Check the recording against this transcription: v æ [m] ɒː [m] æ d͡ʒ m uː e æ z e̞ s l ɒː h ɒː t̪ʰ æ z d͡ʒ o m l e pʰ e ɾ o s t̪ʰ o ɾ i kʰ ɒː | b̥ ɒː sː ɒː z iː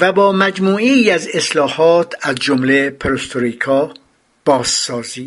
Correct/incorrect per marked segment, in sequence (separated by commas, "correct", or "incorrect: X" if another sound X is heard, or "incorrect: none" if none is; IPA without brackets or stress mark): incorrect: b, correct